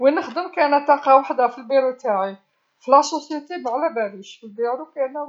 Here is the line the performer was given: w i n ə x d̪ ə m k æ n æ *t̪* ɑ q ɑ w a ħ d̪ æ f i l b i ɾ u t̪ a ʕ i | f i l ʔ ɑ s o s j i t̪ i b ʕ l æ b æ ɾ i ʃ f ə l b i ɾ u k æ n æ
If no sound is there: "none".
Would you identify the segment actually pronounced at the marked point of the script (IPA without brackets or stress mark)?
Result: t̪